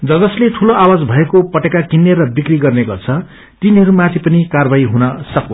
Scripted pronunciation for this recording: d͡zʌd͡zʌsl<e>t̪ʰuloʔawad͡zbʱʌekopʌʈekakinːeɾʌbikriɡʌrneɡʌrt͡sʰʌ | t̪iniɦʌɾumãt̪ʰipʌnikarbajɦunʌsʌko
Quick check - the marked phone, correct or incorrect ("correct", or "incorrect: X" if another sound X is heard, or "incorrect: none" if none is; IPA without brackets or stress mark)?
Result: correct